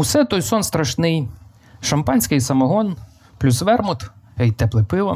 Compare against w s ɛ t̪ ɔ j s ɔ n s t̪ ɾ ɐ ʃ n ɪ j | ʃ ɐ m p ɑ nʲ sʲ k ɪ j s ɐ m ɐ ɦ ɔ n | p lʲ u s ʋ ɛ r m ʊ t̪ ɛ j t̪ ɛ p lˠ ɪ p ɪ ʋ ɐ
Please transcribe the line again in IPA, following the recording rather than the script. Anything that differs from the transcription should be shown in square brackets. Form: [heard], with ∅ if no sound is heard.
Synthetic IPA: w s ɛ t̪ ɔ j s ɔ n s t̪ ɾ ɐ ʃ n ɪ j | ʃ ɐ m p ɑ nʲ sʲ k ɪ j s ɐ m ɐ ɦ ɔ n | p lʲ u s ʋ ɛ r m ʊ t̪ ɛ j t̪ ɛ p lˠ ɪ p ɪ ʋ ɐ